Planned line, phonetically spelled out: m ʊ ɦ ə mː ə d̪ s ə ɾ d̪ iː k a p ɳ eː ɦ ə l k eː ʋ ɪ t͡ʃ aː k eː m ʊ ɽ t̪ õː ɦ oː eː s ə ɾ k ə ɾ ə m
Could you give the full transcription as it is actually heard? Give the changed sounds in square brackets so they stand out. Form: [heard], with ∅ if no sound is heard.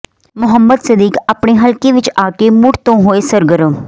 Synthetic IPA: m ʊ ɦ ə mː ə d̪ s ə [∅] d̪ iː k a p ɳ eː ɦ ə l k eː ʋ ɪ t͡ʃ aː k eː m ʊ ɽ t̪ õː ɦ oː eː s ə ɾ [ɡ] ə ɾ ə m